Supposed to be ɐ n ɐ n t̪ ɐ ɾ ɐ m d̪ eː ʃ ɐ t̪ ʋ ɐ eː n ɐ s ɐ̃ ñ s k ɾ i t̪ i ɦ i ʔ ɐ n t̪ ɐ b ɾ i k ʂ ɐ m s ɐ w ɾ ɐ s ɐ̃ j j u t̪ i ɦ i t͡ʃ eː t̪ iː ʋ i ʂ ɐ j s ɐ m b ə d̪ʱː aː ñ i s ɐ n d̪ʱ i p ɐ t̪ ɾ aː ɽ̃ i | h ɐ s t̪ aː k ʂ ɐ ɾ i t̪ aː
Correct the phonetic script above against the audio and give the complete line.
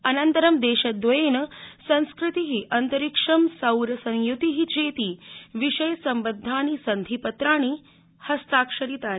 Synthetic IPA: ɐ n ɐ n t̪ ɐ ɾ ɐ m d̪ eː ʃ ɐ d̪ ʋ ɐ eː n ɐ s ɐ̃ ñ s k ɾ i t̪ i ɦ i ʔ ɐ n t̪ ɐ ɾ i k ʂ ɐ m s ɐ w ɾ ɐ s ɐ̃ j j u t̪ i ɦ i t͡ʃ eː t̪ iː ʋ i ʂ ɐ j s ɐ m b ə d̪ʱː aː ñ i s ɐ n d̪ʱ i p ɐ t̪ ɾ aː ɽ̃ i | h ɐ s t̪ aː k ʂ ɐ ɾ i t̪ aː

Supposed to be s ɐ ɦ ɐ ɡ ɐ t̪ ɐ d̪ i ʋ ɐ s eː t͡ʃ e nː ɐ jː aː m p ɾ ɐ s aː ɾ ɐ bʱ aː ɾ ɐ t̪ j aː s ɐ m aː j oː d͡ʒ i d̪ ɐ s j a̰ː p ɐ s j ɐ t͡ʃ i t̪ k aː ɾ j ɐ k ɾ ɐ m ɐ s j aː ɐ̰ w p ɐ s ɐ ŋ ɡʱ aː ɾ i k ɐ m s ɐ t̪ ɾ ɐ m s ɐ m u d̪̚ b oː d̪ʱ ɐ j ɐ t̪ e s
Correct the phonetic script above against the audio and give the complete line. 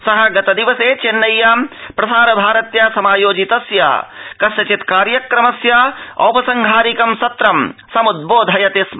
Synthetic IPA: s ɐ ɦ ɐ ɡ ɐ t̪ ɐ d̪ i ʋ ɐ s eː t͡ʃ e nː ɐ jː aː m p ɾ ɐ s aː ɾ ɐ bʱ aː ɾ ɐ t̪ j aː s ɐ m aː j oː d͡ʒ i t̪ ɐ s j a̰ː k ɐ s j ɐ t͡ʃ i t̪ k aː ɾ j ɐ k ɾ ɐ m ɐ s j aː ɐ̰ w p ɐ s ɐ ŋ ɡʱ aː ɾ i k ɐ m s ɐ t̪ ɾ ɐ m s ɐ m u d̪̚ b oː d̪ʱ ɐ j ɐ t̪ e s

